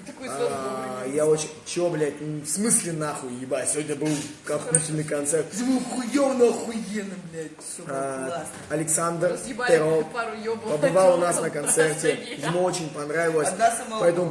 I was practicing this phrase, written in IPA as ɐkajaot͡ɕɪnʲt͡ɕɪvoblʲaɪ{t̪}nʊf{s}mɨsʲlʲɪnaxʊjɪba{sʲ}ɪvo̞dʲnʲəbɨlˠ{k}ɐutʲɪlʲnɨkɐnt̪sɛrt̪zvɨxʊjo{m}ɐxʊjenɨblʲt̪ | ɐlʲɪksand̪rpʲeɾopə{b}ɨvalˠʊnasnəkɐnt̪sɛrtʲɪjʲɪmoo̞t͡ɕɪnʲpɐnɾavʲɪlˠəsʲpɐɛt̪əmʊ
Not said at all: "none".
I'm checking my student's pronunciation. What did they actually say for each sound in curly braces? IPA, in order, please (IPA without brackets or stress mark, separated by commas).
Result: t̪, s, sʲ, k, n, b